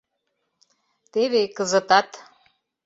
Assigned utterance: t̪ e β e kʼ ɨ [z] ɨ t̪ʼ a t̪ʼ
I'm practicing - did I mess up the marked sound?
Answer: no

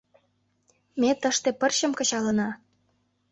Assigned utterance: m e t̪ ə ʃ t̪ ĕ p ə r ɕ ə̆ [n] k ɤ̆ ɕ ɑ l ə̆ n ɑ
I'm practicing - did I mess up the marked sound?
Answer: yes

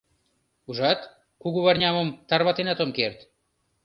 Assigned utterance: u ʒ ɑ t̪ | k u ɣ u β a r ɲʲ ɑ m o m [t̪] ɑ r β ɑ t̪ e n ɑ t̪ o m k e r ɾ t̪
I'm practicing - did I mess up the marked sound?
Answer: no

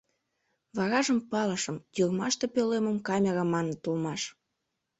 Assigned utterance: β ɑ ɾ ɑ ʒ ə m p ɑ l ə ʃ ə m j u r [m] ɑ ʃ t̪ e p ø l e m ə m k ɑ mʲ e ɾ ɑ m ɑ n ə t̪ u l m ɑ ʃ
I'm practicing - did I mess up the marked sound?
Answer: no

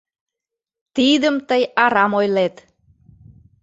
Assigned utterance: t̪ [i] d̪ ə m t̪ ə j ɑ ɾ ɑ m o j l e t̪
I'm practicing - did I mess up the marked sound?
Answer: no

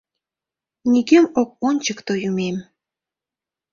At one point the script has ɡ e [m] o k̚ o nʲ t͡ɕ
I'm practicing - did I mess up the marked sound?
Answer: no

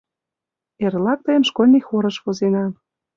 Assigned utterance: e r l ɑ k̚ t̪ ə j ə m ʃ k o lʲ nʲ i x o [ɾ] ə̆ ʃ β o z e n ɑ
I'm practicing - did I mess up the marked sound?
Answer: no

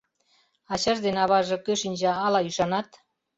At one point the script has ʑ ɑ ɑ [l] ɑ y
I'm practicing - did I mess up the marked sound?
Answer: no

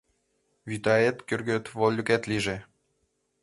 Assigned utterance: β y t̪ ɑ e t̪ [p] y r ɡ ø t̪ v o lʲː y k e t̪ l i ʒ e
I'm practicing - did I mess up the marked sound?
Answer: yes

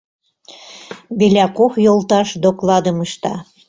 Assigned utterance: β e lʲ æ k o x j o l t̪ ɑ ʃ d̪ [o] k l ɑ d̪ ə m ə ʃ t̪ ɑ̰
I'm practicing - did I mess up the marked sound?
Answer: no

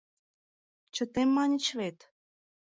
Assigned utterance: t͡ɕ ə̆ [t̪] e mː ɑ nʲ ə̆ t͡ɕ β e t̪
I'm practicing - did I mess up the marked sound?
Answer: no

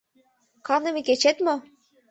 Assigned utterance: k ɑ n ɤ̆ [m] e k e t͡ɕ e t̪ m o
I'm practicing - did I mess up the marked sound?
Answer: no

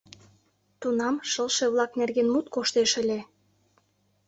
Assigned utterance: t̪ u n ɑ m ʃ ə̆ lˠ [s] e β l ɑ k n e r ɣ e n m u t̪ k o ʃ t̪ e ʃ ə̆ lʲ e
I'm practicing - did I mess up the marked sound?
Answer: yes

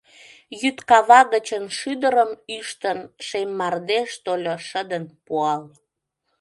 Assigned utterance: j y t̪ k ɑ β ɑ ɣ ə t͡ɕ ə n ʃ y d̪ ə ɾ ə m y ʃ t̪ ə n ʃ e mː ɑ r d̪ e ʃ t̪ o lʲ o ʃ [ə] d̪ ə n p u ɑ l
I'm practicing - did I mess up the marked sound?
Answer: no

